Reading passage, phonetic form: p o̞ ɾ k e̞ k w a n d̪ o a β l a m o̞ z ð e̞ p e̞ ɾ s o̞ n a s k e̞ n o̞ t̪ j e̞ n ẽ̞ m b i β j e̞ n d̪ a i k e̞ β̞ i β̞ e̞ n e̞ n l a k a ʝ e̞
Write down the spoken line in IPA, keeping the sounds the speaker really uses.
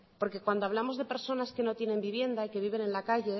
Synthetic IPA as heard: p o̞ ɾ k e̞ k w a n d̪ o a β l a m o̞ z ð e̞ p e̞ ɾ s o̞ n a s k e̞ n o̞ t̪ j e̞ n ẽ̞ m b i β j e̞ n d̪ a i k e̞ β̞ i β̞ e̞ n e̞ n l a k a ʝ e̞

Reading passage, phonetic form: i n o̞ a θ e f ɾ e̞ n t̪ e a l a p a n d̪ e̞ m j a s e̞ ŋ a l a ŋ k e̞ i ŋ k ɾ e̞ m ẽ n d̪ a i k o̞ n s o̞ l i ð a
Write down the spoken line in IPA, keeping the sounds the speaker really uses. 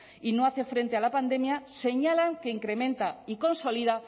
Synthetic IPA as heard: i n o̞ a θ e f ɾ e̞ n t̪ e a l a p a n d̪ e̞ m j a s e̞ ɲ a l a ŋ k e̞ i ŋ k ɾ e̞ m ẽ n t̪ a i k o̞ n s o̞ l i ð a

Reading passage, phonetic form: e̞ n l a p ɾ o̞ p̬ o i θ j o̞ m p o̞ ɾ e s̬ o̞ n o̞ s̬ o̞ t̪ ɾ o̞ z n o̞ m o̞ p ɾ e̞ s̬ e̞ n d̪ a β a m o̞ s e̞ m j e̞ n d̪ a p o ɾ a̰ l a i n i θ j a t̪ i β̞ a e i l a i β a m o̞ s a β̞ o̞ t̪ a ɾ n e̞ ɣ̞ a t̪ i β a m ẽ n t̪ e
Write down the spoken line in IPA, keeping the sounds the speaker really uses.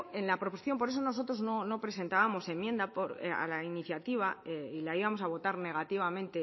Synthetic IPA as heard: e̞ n l a p ɾ o̞ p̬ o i θ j o̞ m p o̞ ɾ e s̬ o̞ n o̞ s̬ o̞ t̪ ɾ o̞ z n o̞ n o̞ p ɾ e̞ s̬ e̞ n t̪ a β a m o̞ s e̞ m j e̞ n d̪ a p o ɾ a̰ l a i n i θ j a t̪ i β̞ a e i l a i β a m o̞ s a β̞ o̞ t̪ a ɾ n e̞ ɣ̞ a t̪ i β a m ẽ n t̪ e

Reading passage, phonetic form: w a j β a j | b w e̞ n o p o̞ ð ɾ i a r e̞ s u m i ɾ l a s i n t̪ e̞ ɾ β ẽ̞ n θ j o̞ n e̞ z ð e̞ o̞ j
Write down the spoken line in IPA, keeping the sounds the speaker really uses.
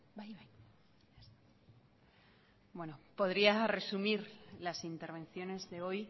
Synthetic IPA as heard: b a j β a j | b w e̞ n o p o̞ ð ɾ i a r e̞ s u m i ɾ l a s i n t̪ e̞ ɾ β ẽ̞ n θ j o̞ n e̞ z ð e̞ o̞ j

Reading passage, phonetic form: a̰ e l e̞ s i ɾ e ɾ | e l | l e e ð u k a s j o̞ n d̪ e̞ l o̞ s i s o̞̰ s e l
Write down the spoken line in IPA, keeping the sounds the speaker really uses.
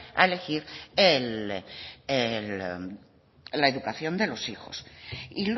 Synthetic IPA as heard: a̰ e l e̞ x i ɾ e l | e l | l a e ð u k a θ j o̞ n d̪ e̞ l o̞ s i x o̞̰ s i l

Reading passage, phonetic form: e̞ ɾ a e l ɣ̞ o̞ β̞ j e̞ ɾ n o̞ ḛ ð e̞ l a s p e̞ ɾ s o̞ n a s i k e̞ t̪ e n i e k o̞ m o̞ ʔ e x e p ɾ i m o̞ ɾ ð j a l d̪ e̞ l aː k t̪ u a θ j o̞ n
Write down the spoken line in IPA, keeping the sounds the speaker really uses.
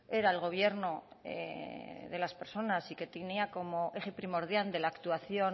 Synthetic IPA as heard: e̞ ɾ a e l ɣ̞ o̞ β̞ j e̞ ɾ n o̞ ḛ ð e̞ l a s p e̞ ɾ s o̞ n a s i k e̞ t̪ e n i a k o̞ m o̞ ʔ e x e p ɾ i m o̞ ɾ ð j a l d̪ e̞ l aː k t̪ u a θ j o̞ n

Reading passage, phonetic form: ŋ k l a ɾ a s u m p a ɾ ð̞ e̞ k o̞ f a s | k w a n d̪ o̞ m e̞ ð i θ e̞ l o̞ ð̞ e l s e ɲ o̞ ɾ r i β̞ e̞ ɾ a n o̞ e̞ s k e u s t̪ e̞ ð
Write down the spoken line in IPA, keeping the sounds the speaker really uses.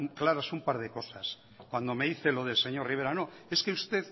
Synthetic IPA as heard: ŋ k l a ɾ a s u m p a ɾ ð̞ e̞ k o̞ s a s | k w a n d̪ o̞ m e̞ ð i θ e̞ l o̞ ð̞ e l s e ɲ o̞ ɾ r i β̞ e̞ ɾ a n o̞ e̞ s k e u s t̪ e̞ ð

